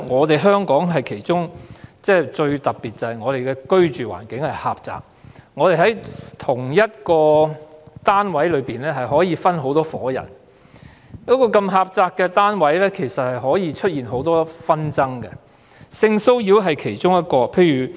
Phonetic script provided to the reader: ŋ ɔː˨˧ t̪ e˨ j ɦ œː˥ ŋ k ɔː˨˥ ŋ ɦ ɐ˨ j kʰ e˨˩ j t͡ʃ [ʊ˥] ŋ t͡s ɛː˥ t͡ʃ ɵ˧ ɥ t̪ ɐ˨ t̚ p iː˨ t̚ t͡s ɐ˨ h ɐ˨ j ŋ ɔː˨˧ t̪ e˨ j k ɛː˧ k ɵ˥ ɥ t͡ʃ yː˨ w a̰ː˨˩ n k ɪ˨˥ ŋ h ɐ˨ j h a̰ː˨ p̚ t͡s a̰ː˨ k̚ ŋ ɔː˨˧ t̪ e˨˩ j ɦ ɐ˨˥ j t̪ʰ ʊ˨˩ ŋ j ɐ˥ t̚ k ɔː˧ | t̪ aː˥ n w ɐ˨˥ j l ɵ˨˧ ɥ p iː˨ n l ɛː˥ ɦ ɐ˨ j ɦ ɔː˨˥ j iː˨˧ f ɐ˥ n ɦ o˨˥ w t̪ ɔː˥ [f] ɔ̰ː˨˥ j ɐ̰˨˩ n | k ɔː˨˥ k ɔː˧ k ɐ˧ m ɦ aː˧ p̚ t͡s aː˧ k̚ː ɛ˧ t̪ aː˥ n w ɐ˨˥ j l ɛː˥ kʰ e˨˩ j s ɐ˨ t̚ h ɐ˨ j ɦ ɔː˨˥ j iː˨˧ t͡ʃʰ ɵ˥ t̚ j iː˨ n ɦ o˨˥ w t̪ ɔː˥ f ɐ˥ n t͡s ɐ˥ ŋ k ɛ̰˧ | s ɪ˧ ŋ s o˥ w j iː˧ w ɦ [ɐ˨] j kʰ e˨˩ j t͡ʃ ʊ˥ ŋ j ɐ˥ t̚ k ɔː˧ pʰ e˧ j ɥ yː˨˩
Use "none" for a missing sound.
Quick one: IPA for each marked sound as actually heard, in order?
ʊ˥, f, ɐ˨

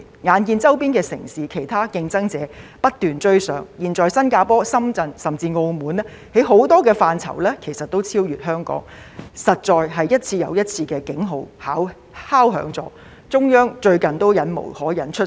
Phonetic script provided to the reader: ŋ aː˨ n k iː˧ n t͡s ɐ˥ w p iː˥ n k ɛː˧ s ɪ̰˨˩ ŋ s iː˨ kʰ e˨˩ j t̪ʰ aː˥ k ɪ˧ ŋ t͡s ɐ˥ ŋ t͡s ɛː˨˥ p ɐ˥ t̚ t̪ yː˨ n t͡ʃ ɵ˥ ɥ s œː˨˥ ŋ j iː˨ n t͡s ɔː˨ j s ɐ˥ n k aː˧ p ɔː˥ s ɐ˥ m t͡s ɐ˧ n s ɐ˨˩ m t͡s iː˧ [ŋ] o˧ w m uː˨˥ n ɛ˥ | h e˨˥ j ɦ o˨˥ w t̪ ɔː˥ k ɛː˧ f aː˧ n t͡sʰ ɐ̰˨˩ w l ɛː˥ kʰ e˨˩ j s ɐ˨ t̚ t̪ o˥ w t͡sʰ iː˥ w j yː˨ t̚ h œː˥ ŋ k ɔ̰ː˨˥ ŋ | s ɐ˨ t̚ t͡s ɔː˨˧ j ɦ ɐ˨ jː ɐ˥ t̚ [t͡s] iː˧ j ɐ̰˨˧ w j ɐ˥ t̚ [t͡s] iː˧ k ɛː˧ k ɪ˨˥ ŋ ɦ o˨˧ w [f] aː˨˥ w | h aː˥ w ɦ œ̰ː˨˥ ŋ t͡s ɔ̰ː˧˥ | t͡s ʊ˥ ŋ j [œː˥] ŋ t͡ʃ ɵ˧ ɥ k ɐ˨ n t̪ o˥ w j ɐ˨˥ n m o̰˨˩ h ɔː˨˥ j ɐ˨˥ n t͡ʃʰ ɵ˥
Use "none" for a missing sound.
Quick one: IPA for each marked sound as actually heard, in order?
ŋ, t͡sʰ, t͡sʰ, h, œː˥

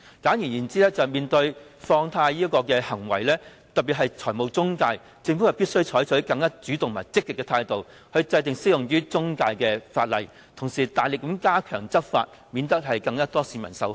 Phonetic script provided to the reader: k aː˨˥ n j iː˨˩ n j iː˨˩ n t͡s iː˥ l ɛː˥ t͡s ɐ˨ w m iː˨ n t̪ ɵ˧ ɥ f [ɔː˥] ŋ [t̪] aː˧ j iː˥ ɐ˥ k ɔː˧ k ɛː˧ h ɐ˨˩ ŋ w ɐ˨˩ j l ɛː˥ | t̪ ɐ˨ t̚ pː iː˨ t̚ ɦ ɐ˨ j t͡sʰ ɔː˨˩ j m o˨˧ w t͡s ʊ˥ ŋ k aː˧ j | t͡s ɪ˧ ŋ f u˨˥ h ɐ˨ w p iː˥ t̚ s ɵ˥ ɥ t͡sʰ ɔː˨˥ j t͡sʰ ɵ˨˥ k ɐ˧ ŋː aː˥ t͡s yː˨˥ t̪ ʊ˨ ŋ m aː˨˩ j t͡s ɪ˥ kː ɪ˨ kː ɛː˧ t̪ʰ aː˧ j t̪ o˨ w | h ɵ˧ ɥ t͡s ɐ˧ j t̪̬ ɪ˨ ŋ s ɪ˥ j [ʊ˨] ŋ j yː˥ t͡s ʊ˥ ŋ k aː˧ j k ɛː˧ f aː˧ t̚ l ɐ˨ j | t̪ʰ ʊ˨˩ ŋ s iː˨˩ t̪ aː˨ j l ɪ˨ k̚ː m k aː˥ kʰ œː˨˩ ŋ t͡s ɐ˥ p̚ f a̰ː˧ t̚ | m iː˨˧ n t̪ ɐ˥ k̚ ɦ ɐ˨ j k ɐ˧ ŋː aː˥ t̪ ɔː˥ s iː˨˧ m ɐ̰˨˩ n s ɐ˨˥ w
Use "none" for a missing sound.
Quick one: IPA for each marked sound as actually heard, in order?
ɔː˧, t̪ʰ, ʊ˨

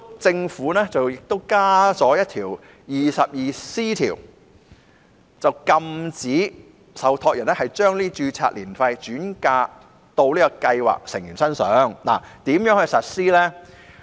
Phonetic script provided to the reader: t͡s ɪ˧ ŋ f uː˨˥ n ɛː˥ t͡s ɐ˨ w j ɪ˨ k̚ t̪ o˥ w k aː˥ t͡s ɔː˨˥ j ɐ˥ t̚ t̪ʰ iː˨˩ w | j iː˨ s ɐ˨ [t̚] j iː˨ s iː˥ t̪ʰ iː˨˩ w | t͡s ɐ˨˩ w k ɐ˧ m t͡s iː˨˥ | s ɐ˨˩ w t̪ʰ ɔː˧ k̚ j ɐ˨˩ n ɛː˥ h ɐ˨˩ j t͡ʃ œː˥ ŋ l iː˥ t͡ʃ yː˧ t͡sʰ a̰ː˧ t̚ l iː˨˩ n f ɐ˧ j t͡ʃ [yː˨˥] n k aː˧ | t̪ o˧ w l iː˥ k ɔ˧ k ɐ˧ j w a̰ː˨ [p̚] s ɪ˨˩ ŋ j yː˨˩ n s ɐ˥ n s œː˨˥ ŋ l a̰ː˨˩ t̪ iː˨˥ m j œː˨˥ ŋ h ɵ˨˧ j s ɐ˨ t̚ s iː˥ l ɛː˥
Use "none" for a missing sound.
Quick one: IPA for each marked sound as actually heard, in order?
p̚, yː˨˥, k̚

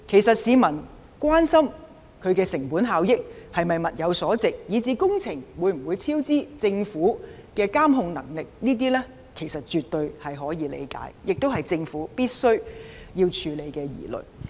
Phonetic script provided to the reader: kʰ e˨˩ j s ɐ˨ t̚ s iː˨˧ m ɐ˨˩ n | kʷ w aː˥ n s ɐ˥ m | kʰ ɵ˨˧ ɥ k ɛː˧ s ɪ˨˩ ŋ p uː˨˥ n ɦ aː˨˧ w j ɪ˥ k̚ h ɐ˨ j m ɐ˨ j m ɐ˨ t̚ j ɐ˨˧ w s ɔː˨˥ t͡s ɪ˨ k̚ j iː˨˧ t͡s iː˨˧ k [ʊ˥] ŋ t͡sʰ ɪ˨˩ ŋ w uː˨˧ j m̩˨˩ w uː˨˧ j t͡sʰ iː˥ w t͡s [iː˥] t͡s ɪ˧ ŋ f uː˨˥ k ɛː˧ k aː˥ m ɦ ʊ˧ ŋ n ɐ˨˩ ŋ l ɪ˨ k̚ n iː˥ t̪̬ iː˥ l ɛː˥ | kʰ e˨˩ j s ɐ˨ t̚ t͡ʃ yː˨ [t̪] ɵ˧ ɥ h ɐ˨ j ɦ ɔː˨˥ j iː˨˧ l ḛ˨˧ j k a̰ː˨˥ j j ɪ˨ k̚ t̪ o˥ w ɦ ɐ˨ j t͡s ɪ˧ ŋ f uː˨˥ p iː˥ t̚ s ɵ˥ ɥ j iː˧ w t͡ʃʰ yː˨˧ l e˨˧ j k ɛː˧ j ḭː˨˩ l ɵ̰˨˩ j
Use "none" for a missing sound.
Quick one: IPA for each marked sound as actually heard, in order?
ʊ˥, iː˥, t̪

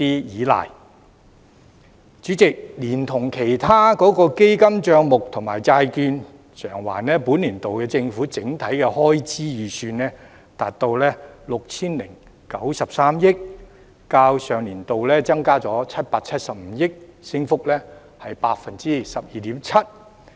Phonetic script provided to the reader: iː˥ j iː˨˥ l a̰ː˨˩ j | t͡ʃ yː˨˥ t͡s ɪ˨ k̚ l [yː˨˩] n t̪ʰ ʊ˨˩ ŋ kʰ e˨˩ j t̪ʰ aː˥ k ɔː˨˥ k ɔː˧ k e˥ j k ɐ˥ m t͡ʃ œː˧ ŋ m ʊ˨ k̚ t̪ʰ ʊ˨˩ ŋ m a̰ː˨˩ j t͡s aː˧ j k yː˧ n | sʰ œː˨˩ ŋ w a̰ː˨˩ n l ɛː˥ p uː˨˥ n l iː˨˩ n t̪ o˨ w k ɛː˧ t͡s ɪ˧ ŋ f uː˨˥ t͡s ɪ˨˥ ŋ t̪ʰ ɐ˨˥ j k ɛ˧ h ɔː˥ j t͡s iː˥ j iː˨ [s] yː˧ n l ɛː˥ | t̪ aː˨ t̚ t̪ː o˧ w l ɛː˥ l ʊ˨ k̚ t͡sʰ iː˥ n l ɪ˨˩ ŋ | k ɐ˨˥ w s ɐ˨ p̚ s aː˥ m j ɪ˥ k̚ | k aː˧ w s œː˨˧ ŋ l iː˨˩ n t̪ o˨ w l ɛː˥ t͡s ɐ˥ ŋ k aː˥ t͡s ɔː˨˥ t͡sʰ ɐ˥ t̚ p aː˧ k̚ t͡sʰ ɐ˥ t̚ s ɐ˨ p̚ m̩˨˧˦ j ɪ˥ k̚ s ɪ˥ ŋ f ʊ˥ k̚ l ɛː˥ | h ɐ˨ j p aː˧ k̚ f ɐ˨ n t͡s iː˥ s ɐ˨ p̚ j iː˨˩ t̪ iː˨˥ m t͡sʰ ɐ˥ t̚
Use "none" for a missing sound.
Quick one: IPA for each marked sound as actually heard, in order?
iː˨˩, s

